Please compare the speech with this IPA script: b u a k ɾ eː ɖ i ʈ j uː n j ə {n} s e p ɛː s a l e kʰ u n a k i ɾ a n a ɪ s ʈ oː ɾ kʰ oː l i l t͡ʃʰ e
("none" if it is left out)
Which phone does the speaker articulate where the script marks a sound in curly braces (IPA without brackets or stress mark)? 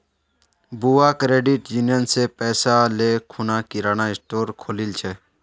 n